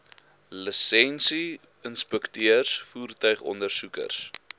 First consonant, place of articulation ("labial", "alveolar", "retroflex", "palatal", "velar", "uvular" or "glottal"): alveolar